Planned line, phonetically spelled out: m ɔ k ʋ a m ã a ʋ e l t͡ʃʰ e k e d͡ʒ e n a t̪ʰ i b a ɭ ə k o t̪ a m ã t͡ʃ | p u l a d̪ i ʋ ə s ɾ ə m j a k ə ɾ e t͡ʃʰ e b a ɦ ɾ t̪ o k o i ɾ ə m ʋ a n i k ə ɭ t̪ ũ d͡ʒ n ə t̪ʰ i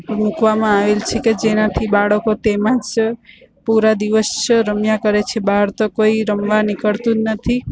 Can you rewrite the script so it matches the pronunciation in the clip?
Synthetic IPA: m u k ʋ a m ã a ʋ e l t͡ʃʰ e k e d͡ʒ e n a t̪ʰ i b a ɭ ə k o t̪ e m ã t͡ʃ | p u ɾ a d̪ i ʋ ə s ɾ ə m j a k ə ɾ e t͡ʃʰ e b a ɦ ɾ t̪ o k o i ɾ ə m ʋ a n i k ə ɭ t̪ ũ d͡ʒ n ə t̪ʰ i